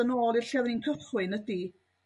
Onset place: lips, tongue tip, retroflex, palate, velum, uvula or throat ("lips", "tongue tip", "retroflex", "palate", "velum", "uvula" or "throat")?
tongue tip